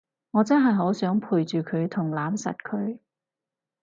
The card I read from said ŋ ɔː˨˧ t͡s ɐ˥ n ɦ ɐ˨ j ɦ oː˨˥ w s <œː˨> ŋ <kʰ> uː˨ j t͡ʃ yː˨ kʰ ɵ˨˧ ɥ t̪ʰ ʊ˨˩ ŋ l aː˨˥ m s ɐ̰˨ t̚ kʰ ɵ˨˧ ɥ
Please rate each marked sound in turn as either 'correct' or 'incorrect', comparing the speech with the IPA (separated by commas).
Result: incorrect, incorrect